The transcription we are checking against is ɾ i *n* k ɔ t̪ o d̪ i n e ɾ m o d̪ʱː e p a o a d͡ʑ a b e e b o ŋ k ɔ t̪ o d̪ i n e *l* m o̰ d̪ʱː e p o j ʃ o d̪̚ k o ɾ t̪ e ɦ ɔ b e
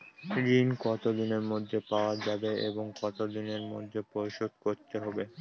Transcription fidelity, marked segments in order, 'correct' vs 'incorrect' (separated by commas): correct, incorrect